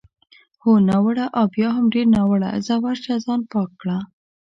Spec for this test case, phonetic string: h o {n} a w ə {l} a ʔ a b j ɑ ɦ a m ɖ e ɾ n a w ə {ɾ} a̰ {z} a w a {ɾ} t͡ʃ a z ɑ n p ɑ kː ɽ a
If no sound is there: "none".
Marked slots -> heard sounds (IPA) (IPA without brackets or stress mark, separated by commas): n, ɽ, ɽ, z, ɾ